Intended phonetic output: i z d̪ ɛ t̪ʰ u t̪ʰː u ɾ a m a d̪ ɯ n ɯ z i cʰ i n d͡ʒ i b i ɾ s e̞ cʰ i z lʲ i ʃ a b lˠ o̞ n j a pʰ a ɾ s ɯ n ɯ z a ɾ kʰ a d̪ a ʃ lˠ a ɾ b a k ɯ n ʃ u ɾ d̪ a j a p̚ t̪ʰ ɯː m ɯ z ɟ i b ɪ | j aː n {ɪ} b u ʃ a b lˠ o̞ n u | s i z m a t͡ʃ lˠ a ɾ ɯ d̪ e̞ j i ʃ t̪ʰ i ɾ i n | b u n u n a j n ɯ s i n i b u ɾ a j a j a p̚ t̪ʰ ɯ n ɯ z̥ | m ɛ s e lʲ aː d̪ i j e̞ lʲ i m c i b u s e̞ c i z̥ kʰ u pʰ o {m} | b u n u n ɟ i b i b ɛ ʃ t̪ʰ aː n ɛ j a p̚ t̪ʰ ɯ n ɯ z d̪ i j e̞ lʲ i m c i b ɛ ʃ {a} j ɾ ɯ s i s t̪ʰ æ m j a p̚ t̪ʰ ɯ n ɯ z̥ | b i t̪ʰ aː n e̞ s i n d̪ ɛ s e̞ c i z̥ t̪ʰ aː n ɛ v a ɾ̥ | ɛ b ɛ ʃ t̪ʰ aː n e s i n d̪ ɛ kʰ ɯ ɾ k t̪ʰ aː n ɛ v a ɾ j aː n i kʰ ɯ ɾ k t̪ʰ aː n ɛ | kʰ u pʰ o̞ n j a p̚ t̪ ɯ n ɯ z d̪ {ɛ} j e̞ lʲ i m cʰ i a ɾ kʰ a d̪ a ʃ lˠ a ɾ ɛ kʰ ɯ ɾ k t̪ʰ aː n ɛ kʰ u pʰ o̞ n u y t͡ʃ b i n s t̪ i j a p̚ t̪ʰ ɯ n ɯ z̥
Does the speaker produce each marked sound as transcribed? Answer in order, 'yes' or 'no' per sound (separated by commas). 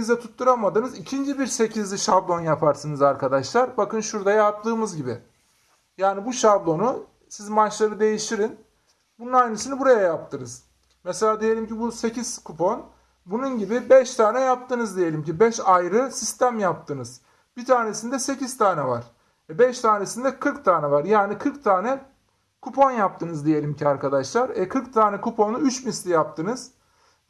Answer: no, no, yes, no